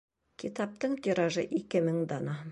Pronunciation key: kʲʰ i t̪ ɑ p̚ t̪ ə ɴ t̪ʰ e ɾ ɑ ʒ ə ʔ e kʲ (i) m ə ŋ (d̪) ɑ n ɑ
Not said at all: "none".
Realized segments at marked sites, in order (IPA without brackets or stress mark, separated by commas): ɪ, d̪